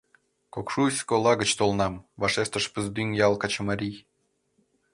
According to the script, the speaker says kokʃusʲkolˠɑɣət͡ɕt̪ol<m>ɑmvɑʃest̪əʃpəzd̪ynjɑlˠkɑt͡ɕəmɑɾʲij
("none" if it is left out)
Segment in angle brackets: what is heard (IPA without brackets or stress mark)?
n